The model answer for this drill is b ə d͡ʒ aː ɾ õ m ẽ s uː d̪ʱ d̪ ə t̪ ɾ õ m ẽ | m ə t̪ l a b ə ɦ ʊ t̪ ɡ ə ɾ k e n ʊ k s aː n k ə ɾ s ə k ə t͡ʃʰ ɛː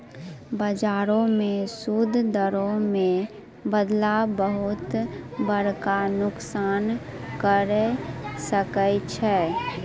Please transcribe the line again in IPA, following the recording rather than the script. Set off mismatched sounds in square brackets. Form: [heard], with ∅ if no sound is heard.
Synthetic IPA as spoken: b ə d͡ʒ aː ɾ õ m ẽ s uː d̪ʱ d̪ ə [∅] ɾ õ m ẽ | [b] ə [d̪] l a b ə ɦ ʊ t̪ [b] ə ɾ k [a] n ʊ k s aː n k ə ɾ s ə k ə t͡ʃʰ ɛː